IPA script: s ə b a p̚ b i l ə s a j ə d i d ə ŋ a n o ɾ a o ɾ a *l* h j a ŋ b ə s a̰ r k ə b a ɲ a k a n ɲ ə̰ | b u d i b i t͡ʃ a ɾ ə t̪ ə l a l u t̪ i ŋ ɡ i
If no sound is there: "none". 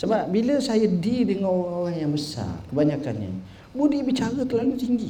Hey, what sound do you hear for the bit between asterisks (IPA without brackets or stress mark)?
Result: none